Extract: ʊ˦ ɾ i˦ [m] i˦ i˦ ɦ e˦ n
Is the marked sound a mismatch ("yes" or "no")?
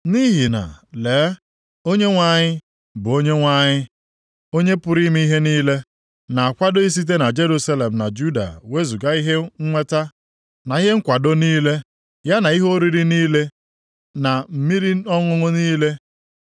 no